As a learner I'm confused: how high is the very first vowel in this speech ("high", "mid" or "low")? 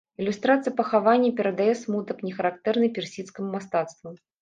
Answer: high